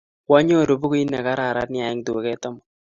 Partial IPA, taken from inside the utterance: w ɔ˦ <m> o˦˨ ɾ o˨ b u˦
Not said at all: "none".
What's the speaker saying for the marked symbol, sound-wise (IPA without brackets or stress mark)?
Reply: ɲ